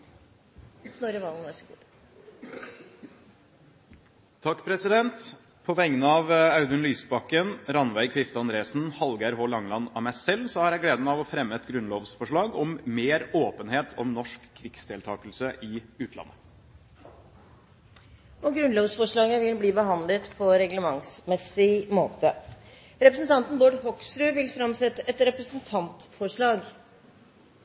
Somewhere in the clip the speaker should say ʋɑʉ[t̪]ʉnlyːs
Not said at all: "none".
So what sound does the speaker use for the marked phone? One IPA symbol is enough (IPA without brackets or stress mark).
d̪